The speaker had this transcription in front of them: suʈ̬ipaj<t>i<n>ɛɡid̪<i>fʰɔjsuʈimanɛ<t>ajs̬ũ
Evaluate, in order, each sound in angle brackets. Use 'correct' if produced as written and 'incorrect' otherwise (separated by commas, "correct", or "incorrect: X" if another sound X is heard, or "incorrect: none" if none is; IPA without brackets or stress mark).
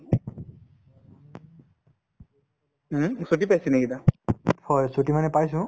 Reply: incorrect: s, correct, incorrect: a, incorrect: p